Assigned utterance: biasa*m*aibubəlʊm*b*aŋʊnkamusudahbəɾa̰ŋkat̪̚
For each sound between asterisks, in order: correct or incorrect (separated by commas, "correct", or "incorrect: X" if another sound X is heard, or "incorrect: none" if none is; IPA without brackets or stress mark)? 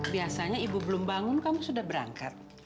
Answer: incorrect: ɲ, correct